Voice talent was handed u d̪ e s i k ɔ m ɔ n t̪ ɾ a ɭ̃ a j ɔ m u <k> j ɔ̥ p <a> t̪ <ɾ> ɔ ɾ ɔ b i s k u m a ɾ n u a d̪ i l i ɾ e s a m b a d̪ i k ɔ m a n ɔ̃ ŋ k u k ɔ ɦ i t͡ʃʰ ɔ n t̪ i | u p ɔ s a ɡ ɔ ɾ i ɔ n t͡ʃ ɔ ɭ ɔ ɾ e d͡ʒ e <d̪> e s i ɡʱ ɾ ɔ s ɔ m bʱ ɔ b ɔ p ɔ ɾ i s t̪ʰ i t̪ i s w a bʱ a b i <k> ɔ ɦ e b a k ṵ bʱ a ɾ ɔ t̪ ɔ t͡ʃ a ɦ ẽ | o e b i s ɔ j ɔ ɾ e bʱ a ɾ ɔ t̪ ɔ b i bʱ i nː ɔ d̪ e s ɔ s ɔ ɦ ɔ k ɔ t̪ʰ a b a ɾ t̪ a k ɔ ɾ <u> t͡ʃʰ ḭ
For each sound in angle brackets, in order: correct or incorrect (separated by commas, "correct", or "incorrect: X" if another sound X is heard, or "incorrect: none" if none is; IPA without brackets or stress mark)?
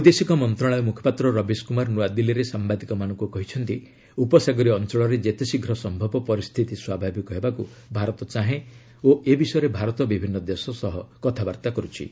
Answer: incorrect: kʰ, correct, correct, incorrect: t̪, correct, correct